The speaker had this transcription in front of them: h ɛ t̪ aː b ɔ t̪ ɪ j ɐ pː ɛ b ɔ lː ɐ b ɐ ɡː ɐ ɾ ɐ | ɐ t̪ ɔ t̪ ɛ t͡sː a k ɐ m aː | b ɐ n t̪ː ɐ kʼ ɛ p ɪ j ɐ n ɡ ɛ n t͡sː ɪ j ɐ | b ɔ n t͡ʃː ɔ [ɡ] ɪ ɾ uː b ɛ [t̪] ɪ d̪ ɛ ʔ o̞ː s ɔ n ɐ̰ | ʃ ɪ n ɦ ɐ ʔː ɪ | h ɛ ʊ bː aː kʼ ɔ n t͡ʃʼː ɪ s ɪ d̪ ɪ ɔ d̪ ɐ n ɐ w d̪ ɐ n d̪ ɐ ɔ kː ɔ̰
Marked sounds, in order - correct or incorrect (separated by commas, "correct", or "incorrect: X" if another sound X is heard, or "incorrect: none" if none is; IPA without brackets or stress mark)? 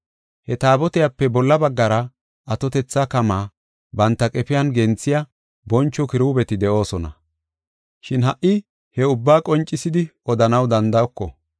incorrect: k, correct